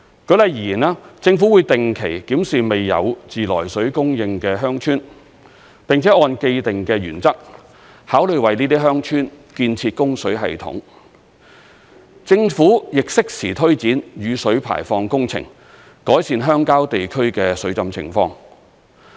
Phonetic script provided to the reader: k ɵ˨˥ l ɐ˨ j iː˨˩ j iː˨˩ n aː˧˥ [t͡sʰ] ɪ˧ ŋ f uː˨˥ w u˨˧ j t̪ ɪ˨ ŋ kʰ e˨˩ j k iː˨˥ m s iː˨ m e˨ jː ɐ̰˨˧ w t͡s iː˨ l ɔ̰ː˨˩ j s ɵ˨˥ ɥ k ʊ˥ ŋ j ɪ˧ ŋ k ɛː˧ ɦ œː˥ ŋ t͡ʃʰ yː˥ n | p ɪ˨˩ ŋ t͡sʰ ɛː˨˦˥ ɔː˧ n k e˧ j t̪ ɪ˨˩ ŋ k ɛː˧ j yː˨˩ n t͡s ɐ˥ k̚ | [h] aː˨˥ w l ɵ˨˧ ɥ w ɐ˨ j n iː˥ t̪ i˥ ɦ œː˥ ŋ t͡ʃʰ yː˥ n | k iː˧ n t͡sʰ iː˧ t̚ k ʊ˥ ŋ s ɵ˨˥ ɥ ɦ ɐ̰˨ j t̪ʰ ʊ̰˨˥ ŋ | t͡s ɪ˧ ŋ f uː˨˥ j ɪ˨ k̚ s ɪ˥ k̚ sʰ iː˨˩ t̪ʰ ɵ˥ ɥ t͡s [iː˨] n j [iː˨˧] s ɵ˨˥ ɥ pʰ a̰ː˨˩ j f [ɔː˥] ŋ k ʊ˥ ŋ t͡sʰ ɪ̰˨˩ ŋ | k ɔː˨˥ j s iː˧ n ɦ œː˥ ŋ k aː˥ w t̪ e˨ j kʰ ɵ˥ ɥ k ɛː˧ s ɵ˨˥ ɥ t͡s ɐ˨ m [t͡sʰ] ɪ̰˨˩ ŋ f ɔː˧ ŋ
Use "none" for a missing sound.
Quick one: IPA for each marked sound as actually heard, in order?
t͡s, h, iː˨˥, yː˨˧, ɔː˧, t͡sʰ

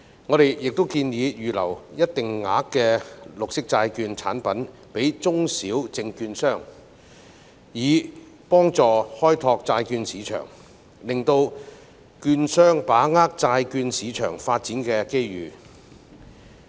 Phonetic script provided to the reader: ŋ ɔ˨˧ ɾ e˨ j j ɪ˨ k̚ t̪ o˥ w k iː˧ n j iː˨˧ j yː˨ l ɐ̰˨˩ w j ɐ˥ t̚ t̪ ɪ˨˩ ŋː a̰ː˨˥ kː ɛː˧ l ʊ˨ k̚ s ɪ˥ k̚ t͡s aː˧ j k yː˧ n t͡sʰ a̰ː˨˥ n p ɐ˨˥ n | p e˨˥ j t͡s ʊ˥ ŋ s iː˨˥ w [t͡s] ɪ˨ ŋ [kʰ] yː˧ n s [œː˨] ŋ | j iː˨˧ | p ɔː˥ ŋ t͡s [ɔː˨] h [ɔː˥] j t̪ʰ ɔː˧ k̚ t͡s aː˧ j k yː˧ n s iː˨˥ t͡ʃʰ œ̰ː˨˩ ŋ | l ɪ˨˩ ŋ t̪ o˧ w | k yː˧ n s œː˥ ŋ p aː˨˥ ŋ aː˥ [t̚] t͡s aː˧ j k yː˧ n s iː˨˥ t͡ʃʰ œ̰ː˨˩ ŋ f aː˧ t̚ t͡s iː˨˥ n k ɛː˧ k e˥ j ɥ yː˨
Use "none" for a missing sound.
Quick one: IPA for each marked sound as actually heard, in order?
t͡s, k, œː˥, ɔː˨, ɔː˥, k̚

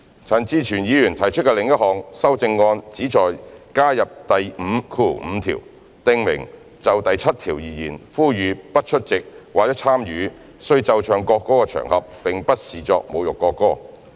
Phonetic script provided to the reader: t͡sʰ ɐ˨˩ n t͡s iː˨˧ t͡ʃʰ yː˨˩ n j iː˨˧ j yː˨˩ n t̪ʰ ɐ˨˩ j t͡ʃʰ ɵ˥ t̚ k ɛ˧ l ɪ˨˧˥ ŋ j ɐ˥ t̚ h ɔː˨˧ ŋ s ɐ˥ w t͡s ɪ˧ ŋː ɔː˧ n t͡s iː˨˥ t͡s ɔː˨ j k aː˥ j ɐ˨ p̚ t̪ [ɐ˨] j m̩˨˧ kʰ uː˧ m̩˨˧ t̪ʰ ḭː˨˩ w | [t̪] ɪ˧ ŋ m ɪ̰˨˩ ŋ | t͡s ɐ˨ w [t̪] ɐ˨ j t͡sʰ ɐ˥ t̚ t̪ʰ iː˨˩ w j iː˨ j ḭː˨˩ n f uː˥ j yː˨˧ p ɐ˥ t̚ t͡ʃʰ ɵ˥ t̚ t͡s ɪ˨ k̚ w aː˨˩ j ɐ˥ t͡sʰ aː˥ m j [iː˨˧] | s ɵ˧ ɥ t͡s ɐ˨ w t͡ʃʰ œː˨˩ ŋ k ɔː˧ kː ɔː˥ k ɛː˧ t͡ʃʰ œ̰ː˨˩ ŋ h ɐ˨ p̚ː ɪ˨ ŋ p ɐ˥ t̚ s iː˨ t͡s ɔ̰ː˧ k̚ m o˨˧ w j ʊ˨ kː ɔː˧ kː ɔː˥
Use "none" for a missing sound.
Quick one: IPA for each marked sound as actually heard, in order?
ɐ˨, t̪, t̪, yː˨˧

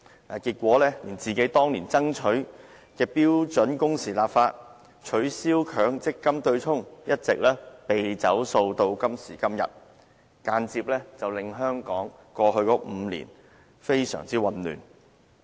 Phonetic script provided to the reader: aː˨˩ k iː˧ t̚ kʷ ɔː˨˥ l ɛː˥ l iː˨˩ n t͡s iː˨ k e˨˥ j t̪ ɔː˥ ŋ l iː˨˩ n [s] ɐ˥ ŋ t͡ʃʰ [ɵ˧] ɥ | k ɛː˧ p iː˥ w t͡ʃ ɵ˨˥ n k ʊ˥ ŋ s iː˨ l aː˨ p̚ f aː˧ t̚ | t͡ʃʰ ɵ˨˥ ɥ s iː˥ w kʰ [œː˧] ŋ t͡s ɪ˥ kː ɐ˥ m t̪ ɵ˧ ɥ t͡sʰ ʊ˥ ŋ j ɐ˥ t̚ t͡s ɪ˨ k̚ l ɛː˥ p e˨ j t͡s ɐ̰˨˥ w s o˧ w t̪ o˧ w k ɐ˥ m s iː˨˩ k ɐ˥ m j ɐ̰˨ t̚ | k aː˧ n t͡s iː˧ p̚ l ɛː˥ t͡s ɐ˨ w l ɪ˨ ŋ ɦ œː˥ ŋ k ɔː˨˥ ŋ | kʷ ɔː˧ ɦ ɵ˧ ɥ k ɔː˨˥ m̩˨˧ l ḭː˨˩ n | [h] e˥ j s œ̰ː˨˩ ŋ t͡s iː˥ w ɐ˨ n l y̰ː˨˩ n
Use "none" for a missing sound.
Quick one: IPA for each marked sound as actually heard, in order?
t͡s, ɵ˨˥, œː˨˥, f

